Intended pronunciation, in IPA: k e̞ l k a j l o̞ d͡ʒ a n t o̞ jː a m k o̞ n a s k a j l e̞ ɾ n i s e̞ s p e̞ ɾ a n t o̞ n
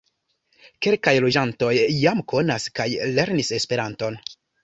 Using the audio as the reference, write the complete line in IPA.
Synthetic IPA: k e̞ l k a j l o̞ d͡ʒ a n t o̞ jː a m k o̞ n a s k a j l e̞ ɾ n i s e̞ s p e̞ ɾ a n t o̞ n